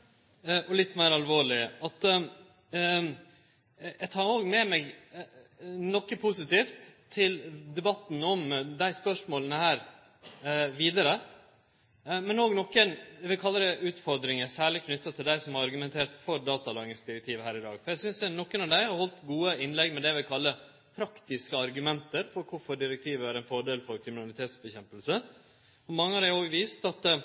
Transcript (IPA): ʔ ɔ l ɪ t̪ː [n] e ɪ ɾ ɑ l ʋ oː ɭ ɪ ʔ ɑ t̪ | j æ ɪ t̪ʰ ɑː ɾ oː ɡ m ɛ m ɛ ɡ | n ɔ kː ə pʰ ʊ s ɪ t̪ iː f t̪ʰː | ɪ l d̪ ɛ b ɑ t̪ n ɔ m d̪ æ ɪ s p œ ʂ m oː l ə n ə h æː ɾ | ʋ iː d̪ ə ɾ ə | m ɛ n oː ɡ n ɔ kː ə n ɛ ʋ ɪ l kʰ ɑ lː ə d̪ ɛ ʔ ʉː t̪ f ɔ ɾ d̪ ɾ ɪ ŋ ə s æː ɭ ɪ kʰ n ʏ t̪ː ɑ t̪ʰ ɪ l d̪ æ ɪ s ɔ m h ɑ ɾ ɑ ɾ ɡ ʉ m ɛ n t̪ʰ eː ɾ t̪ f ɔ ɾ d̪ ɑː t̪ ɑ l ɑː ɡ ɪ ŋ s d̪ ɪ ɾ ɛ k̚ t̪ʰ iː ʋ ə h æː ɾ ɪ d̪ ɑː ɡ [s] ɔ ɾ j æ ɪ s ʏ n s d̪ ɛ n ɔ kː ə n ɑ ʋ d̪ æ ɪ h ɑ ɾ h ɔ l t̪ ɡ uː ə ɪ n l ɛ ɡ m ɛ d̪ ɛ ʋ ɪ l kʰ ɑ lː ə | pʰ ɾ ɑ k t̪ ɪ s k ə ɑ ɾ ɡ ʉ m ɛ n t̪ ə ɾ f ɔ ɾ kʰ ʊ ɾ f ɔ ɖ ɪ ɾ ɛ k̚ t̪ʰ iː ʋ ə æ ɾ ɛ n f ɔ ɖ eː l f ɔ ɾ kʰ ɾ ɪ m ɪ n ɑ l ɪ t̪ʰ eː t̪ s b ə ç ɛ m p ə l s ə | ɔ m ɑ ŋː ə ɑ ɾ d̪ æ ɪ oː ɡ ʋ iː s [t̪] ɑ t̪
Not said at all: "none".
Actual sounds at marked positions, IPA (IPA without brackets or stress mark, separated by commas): m, f, t̪